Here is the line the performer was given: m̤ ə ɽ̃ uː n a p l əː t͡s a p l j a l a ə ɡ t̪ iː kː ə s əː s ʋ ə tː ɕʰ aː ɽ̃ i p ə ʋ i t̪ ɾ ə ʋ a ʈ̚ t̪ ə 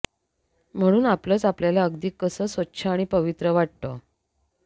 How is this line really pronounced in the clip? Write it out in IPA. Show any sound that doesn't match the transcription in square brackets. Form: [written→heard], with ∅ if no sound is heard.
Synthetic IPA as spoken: m̤ ə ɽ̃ uː n a p l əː t͡s a p l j a l a ə ɡ [t̪→d̪] iː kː ə s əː s ʋ ə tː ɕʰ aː ɽ̃ i p ə ʋ i t̪ ɾ ə ʋ a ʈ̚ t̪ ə